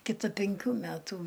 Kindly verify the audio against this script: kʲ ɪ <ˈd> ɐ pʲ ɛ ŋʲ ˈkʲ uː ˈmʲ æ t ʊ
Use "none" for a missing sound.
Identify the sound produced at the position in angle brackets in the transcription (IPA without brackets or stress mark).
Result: t